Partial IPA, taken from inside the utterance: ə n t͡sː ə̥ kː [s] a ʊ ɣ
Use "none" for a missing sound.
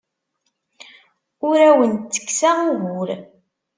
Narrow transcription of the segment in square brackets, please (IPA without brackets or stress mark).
s